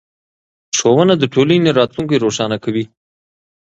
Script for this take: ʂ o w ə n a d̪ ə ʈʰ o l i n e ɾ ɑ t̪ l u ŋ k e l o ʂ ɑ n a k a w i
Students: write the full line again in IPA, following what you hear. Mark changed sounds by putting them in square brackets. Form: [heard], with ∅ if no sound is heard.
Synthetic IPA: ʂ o w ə n a d̪ ə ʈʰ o l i n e ɾ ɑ t̪ l u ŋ k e [ɾ] o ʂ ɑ n a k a w i

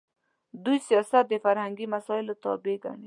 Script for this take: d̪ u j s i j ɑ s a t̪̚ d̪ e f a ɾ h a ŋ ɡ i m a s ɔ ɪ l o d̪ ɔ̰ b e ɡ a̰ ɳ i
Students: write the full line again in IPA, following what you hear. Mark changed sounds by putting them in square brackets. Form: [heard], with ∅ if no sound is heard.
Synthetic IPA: d̪ u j s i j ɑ s a t̪̚ d̪ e f a ɾ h a ŋ ɡ i m a s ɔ ɪ l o [t̪] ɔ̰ b e ɡ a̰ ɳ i

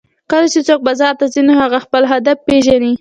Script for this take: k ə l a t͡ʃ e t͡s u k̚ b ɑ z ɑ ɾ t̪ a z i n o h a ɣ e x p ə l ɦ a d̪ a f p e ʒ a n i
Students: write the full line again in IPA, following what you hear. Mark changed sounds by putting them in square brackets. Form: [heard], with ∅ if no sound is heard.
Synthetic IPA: k ə l a t͡ʃ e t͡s [o] k̚ b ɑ z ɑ ɾ t̪ a z i n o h a ɣ [a] x p ə l ɦ a d̪ a f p e ʒ a n i

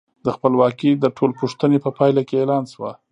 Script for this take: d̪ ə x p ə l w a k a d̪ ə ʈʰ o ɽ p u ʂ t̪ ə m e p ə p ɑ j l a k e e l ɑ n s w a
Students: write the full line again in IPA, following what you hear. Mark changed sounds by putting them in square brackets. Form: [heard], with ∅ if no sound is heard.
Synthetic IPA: d̪ ə x p ə l w [ɑ] k [i] d̪ ə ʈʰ o [l] p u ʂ t̪ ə [n] e p ə p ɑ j l a k e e l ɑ n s w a

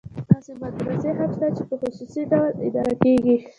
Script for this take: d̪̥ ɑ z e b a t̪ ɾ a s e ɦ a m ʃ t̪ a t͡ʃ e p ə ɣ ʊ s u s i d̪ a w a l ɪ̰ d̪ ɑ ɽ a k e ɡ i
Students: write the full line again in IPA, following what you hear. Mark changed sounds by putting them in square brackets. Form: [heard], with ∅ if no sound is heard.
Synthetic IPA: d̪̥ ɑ [s] e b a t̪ ɾ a s e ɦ a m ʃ t̪ a t͡ʃ e p ə [x] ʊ s u s i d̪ a w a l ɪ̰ d̪ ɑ [ɾ] a k e ɡ i

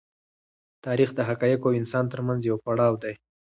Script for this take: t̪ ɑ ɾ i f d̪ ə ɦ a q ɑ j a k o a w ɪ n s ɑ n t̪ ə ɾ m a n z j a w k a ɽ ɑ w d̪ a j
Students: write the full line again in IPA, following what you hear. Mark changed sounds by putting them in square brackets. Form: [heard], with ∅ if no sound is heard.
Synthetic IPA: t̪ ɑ ɾ i [x] d̪ ə ɦ a [k] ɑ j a k o a w ɪ n s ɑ n t̪ ə ɾ m a n z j a w [p] a ɽ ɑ w d̪ a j

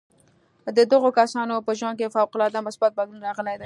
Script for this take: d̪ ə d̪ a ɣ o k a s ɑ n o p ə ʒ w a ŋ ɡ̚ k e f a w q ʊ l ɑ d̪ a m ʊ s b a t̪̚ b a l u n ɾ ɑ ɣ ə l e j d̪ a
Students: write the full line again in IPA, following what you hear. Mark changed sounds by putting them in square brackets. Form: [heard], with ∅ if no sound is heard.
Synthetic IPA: d̪ ə d̪ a ɣ o k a s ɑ n o p ə ʒ w a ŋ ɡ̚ k e f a w q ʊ l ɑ d̪ a m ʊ s b a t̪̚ b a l u n ɾ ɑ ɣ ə l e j d̪ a

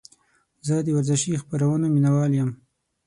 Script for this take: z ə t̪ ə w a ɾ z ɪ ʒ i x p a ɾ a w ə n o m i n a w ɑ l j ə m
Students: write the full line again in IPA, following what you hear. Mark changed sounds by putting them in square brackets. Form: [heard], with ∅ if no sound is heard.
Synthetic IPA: z ə [d̪] ə w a ɾ z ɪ [ʃ] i x p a ɾ a w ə n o m i n a w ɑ l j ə m

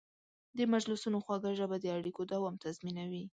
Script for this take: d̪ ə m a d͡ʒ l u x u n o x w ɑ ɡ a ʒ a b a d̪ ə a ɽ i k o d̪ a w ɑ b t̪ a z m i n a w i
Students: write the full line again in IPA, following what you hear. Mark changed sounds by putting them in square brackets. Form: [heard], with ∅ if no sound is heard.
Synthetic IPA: d̪ ə m a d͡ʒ l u [s] u n o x w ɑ ɡ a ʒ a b a d̪ ə a ɽ i k o d̪ a w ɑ [m] t̪ a z m i n a w i

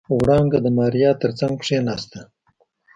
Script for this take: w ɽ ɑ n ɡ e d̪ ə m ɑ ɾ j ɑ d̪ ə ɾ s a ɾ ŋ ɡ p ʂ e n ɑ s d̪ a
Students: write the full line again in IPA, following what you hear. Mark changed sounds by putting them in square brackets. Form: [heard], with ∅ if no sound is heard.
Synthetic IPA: w ɽ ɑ [ŋ] ɡ [a] d̪ ə m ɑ ɾ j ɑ [t̪] ə ɾ [t͡s] a [∅] ŋ ɡ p ʂ e n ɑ s [t̪] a

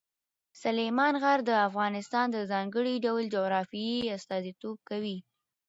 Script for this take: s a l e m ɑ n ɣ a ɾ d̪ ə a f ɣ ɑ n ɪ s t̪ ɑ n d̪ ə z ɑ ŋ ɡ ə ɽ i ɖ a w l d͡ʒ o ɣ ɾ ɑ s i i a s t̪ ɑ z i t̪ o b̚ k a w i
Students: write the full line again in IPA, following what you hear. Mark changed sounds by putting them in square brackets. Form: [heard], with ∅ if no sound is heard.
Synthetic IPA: s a l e m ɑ n ɣ a ɾ d̪ ə a f ɣ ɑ n ɪ s t̪ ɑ n d̪ ə z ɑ ŋ ɡ ə ɽ i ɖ a w l d͡ʒ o ɣ ɾ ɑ [f] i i a s t̪ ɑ z i t̪ o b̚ k a w i

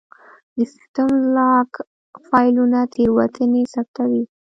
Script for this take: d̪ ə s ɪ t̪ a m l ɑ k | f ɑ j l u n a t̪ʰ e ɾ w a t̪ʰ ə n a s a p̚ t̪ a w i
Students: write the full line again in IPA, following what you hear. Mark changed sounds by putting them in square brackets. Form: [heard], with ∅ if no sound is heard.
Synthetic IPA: d̪ ə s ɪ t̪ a m l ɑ k | f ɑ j l u n a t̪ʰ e ɾ w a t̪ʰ ə n [e] s a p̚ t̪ a w i

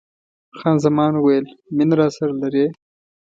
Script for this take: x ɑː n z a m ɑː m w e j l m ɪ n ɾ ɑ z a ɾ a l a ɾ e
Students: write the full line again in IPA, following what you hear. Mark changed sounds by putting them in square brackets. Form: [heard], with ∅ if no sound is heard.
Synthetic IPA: x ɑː n z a m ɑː [n] w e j l m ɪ n ɾ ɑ [s] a ɾ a l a ɾ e

